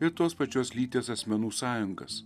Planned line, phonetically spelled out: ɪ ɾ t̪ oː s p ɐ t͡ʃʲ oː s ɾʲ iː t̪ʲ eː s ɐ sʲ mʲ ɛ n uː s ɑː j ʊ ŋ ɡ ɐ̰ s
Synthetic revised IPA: ɪ ɾ t̪ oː s p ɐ t͡ʃʲ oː s lʲ iː t̪ʲ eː s ɐ sʲ mʲ ɛ n uː s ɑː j ʊ ŋ ɡ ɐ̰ s